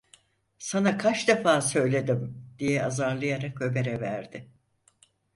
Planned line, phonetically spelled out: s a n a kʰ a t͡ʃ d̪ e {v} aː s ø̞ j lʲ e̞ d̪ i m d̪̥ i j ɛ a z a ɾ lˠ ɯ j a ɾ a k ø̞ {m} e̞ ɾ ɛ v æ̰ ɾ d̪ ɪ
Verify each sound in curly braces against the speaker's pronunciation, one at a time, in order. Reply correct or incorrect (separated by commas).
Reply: incorrect, incorrect